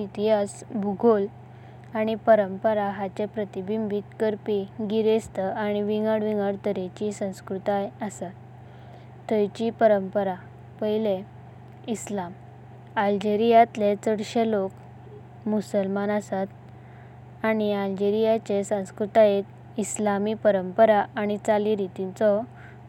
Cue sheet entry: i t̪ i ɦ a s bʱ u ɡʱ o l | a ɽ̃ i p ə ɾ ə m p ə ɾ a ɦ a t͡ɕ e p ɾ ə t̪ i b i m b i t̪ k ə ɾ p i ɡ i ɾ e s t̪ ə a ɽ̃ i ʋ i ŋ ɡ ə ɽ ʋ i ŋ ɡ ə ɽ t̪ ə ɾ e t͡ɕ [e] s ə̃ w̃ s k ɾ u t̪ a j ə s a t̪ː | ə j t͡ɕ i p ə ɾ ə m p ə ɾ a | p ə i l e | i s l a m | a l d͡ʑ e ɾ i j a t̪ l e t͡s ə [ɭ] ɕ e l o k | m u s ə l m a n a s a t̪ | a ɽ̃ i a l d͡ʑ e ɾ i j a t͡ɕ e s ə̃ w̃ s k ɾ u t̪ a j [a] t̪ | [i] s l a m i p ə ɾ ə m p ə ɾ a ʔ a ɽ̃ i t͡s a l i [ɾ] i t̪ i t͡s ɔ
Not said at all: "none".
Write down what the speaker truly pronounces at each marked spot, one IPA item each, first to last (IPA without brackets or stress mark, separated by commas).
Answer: i, ɽ, e, i, ɾ